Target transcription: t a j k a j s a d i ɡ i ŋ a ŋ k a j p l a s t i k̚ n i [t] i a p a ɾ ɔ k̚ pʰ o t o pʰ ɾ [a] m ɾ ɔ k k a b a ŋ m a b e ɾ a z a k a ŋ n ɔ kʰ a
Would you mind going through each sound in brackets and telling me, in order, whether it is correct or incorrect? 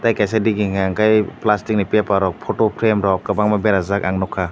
incorrect: p, incorrect: e

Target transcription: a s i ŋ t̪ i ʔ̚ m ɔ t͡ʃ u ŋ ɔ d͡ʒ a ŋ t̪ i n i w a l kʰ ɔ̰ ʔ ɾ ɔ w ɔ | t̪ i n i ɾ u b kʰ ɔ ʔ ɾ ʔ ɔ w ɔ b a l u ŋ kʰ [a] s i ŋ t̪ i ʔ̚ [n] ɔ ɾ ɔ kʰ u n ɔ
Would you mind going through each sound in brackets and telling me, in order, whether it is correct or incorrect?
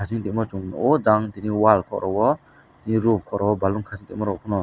correct, incorrect: m

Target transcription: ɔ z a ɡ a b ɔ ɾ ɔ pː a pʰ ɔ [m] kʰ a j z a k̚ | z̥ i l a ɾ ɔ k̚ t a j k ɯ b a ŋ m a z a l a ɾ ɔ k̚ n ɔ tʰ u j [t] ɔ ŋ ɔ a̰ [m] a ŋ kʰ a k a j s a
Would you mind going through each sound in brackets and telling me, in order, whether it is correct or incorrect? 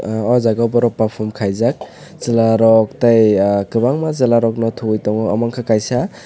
correct, correct, correct

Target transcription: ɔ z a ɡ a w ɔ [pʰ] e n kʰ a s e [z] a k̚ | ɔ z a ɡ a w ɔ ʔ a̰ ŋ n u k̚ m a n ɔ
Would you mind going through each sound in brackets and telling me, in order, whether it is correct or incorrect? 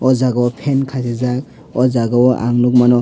correct, correct

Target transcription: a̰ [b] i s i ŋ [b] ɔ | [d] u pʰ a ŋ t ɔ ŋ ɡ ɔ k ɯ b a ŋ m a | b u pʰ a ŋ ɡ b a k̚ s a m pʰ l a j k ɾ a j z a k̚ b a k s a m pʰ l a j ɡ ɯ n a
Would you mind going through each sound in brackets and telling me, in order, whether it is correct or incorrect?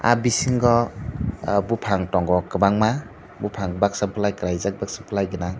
correct, incorrect: ɡ, incorrect: b

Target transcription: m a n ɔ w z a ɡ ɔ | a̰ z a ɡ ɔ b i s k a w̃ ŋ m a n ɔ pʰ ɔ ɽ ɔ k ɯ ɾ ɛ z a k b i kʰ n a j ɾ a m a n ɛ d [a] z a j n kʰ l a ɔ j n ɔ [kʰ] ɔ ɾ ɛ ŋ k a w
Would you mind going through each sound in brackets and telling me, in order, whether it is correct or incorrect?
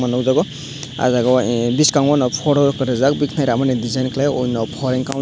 incorrect: i, incorrect: pʰ

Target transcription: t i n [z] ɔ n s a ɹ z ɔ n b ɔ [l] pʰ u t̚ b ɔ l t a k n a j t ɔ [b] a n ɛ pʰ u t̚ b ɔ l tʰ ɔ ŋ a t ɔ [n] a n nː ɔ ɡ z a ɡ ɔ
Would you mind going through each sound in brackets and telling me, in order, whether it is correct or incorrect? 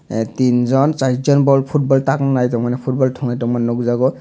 correct, correct, incorrect: m, incorrect: m

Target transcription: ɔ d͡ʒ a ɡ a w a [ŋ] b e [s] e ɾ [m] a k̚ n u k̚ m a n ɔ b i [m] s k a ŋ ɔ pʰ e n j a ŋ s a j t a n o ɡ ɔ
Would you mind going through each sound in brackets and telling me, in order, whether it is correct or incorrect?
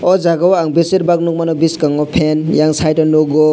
correct, correct, incorrect: b, incorrect: none

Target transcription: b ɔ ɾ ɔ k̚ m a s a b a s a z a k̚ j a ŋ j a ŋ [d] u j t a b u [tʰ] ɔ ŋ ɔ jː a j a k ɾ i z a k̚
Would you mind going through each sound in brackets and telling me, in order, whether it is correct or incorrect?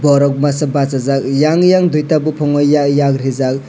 correct, incorrect: pʰ

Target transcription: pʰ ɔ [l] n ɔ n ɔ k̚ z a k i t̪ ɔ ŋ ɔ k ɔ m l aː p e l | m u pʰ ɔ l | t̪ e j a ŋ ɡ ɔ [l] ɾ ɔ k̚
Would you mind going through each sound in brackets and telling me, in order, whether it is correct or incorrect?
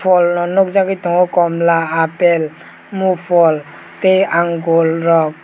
correct, correct

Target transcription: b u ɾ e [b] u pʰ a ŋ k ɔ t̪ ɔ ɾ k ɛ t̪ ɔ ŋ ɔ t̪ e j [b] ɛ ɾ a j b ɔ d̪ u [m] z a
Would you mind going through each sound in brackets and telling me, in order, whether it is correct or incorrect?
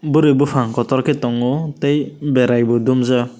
correct, correct, correct

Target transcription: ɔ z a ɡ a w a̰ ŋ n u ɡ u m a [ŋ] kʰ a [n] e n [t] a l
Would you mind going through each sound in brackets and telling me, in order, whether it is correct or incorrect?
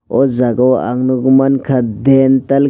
incorrect: n, incorrect: d, correct

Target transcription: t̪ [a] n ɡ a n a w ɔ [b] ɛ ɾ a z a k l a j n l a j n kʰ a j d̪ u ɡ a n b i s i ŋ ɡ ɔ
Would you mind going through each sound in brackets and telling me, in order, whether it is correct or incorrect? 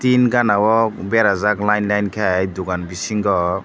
incorrect: i, correct

